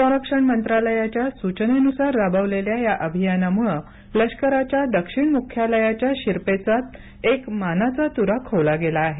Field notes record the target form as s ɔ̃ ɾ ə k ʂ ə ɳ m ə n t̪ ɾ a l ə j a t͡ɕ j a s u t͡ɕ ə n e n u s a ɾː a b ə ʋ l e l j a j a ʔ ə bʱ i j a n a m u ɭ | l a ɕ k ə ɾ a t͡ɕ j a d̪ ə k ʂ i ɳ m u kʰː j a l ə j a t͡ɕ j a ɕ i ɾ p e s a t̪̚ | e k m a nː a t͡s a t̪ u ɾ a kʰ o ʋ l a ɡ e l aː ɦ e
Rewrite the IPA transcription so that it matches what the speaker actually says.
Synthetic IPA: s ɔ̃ ɾ ə k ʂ ə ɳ m ə n t̪ ɾ a l ə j a t͡ɕ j a s u t͡ɕ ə n e n u s a ɾː a b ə ʋ l e l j a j a ʔ ə bʱ i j a n a m u ɭ | l ə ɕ k ə ɾ a t͡ɕ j a d̪ ə k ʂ i ɳ m u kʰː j a l ə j a t͡ɕ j a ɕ i ɾ p e t͡s a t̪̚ | e k m a n a t͡s a t̪ u ɾ a kʰ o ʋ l a ɡ e l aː ɦ e